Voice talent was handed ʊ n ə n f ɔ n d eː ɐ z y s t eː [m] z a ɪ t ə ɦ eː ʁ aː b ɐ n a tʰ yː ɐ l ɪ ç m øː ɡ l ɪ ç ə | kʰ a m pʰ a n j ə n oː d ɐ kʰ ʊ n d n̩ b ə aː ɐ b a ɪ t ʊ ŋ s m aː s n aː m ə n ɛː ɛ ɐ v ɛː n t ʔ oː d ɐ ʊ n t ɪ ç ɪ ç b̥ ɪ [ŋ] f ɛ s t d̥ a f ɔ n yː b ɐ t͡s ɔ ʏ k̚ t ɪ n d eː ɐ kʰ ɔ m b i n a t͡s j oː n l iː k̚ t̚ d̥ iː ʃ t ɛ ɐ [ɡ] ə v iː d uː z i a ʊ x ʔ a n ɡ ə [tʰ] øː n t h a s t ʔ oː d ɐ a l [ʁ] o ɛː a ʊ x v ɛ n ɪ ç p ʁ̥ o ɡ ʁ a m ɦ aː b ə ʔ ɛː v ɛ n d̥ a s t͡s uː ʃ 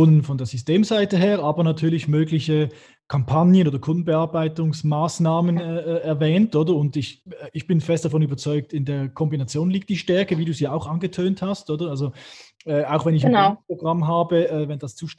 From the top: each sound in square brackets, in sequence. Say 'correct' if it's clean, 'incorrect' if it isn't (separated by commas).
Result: correct, incorrect, incorrect, correct, incorrect